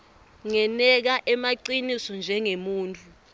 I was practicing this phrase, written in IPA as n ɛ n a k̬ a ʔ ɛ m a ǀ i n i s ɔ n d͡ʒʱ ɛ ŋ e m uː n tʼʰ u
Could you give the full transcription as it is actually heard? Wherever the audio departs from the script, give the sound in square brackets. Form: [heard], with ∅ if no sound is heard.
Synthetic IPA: [ŋ] ɛ n [ɛ] k̬ a ʔ ɛ m a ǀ i n i s ɔ n d͡ʒʱ ɛ ŋ e m uː n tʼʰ u

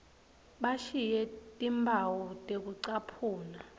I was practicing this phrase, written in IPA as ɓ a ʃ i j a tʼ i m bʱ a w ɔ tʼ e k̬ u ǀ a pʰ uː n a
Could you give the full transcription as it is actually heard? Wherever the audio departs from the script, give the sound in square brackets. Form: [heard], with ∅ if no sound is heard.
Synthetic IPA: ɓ a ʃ i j [ɛ] tʼ i m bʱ a w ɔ tʼ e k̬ u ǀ a pʰ uː n a

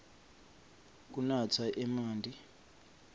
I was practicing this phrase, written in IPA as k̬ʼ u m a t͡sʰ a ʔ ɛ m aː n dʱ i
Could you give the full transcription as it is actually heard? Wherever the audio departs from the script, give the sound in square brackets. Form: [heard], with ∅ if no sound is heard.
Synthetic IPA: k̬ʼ u [n] a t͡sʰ a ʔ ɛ m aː n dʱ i

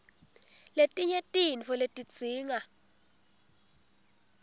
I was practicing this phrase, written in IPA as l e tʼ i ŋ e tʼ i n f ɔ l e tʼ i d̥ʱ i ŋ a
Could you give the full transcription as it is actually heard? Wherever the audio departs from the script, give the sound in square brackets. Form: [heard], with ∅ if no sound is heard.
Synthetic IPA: l e tʼ i [ɲ] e tʼ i n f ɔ l e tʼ i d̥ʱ [iː] ŋ a

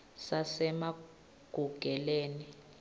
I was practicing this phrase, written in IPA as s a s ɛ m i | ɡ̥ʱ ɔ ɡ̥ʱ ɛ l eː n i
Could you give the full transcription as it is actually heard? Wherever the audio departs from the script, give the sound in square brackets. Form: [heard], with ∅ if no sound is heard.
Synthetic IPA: s a s ɛ m [a] | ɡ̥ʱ [u] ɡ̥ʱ ɛ l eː n i

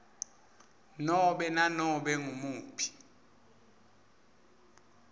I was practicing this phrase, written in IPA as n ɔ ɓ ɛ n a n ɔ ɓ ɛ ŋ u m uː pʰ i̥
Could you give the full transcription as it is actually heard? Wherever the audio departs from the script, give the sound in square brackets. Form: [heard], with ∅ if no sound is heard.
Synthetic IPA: n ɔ ɓ ɛ n a n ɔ ɓ ɛ ŋ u m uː pʰ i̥

